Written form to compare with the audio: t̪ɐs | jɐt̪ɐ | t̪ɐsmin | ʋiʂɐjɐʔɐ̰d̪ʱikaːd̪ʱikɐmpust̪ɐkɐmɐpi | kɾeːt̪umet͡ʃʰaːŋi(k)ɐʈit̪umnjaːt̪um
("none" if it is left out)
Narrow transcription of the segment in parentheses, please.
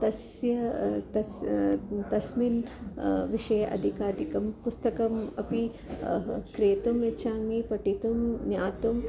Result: p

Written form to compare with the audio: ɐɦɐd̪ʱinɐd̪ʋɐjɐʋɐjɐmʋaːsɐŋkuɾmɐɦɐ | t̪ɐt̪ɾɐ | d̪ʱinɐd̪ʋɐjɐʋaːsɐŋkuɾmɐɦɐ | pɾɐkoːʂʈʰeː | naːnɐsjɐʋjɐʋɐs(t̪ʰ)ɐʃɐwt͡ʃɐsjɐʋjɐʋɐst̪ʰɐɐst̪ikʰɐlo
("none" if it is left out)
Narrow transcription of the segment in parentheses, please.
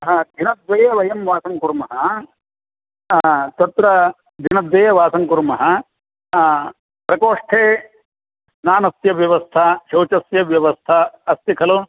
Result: t̪ʰ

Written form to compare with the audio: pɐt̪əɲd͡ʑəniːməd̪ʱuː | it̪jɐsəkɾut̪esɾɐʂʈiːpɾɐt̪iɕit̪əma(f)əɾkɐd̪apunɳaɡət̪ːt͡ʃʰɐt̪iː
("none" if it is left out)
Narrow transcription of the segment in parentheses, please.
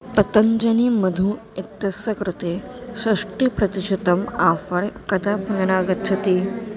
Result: f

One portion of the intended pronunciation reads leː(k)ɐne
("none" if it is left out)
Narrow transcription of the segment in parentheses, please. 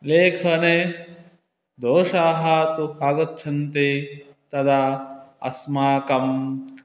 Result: kʰ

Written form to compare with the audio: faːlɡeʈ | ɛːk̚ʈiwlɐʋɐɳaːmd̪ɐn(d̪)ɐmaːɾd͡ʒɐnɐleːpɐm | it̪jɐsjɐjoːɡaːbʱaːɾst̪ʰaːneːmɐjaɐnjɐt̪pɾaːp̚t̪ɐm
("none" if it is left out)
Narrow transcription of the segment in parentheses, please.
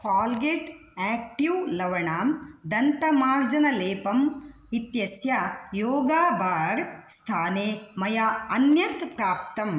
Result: t̪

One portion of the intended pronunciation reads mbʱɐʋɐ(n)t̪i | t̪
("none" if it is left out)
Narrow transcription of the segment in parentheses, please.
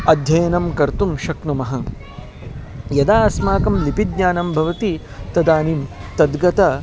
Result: none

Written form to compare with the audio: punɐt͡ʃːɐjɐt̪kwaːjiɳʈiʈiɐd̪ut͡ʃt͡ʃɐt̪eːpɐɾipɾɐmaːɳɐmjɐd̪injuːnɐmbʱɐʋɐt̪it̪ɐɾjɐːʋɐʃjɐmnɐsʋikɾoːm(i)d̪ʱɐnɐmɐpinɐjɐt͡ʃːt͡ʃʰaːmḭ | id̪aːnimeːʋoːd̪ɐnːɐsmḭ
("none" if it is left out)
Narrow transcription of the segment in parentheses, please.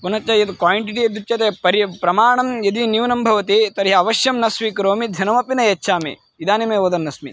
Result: i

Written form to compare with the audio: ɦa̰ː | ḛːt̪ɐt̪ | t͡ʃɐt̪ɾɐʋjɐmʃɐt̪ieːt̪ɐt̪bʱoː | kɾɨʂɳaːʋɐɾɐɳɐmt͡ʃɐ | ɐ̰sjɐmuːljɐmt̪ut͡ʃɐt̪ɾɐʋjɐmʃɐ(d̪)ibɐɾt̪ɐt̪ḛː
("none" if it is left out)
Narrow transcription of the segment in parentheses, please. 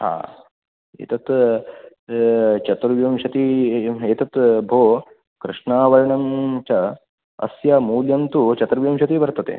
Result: t̪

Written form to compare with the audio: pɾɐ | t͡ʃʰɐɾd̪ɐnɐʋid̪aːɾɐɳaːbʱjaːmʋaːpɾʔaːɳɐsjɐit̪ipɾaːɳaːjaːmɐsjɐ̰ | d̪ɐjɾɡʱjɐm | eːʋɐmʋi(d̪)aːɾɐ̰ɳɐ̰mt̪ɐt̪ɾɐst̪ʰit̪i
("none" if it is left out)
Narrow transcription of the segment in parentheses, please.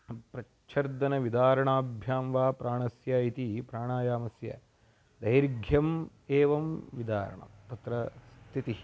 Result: d̪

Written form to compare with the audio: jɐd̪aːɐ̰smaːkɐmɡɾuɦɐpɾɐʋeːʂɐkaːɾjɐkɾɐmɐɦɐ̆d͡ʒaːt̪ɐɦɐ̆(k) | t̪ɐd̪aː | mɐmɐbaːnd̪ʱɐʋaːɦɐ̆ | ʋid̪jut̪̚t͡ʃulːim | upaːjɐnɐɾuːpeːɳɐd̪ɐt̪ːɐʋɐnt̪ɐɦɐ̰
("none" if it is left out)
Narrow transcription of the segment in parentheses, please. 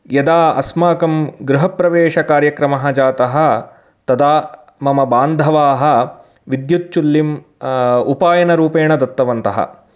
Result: none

